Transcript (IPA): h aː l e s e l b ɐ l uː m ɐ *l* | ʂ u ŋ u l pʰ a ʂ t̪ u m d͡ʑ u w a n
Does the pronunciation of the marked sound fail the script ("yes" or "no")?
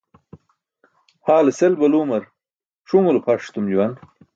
yes